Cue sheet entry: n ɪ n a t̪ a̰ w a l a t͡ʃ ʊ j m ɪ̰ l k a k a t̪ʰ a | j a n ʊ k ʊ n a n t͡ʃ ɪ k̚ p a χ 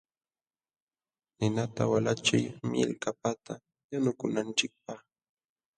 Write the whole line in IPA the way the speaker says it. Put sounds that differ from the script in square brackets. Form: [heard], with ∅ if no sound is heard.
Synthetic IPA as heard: n ɪ n a t̪ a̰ w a l a t͡ʃ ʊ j m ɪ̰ l k a [p] a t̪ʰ a | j a n ʊ k ʊ n a n t͡ʃ ɪ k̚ p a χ